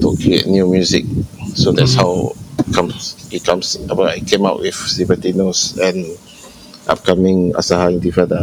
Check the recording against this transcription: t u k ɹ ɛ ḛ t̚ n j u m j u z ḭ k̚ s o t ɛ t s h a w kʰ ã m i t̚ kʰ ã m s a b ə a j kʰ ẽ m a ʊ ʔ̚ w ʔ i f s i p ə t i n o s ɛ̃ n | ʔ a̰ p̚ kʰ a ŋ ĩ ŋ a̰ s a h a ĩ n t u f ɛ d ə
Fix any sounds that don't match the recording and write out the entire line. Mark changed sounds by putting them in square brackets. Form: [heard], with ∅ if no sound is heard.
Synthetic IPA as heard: t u k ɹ [i] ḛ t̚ n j u m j u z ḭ k̚ s o [d] ɛ t s h a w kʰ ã m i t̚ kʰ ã m s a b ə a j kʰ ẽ m a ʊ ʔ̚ w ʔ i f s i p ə t i n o s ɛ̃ n | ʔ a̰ p̚ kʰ a [m] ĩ ŋ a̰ s a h a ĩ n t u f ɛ d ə